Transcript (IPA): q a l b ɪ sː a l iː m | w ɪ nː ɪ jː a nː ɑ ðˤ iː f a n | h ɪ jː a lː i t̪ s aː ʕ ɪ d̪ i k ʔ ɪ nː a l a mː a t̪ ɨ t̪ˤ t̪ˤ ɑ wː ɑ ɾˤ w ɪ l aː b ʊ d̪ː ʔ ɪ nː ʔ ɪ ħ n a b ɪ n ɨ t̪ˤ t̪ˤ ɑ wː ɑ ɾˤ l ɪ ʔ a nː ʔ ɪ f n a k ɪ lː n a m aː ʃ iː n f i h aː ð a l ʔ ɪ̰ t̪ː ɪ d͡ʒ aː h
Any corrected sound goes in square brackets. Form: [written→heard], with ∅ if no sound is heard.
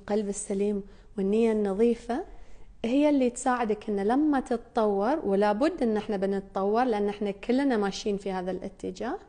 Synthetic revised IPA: q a l b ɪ sː a l iː m | w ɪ nː ɪ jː a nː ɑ ðˤ iː f a [n→∅] | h ɪ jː a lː i t̪ s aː ʕ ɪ d̪ [i→a] k ʔ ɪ nː a l a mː a t̪ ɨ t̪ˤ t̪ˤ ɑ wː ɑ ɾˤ w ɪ l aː b ʊ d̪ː ʔ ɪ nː ʔ ɪ ħ n a b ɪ n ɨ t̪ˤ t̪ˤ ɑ wː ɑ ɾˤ l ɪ ʔ a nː ʔ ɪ [f→ħ] n a k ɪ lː n a m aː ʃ iː n f i h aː ð a l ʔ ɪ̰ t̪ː ɪ d͡ʒ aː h